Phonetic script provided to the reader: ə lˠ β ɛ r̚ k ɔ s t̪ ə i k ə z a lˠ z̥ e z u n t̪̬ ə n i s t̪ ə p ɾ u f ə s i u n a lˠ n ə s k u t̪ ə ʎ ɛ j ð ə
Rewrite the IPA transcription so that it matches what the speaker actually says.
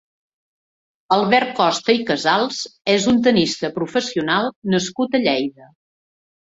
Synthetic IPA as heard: ə lˠ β ɛ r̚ k ɔ s t̪ ə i k ə z a lˠ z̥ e z u n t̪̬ ə n i s t̪ ə p ɾ u f ə s i u n a lˠ n ə s k u t̪ ə ʎ ɛ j ð ə